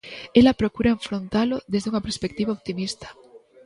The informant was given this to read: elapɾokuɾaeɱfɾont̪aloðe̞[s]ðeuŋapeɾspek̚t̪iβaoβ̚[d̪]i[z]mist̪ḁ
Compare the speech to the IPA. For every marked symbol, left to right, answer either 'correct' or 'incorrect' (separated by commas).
incorrect, incorrect, incorrect